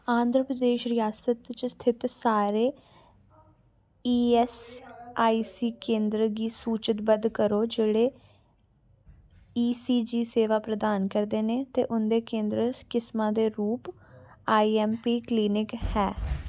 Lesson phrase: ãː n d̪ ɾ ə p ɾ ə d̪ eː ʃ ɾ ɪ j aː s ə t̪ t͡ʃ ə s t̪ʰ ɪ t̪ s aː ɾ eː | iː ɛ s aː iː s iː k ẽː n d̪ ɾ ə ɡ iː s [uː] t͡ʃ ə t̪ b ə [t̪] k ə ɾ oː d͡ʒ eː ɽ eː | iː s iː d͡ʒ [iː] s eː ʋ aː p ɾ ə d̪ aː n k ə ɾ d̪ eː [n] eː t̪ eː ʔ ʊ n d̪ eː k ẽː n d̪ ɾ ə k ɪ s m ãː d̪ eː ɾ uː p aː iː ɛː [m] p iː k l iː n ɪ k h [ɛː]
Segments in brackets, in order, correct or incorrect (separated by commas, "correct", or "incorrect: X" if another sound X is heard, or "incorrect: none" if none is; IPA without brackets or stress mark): correct, incorrect: d̪, correct, correct, correct, correct